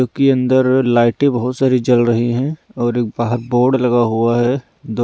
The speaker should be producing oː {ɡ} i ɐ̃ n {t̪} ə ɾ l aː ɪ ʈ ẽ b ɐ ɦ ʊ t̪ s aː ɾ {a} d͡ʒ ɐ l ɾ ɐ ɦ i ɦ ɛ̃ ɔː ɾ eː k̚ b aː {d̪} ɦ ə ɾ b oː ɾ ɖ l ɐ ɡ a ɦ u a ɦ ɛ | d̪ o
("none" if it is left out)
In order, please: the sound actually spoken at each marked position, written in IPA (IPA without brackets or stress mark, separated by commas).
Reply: k, d̪, i, none